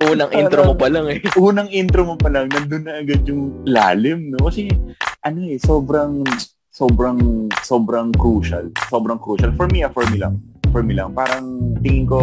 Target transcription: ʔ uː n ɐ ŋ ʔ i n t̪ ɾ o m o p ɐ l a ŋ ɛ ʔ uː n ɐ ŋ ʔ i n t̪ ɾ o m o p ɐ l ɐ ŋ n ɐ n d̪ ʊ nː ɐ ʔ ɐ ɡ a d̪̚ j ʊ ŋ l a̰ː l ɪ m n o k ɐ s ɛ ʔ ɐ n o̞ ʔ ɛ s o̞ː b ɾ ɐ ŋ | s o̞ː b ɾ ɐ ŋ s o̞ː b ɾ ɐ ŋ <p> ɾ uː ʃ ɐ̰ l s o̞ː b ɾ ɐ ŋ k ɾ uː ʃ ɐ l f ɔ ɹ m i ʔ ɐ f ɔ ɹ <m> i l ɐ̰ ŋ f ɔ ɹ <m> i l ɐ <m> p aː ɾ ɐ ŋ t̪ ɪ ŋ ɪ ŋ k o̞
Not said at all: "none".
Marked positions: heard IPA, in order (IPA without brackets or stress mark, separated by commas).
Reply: k, m, m, ŋ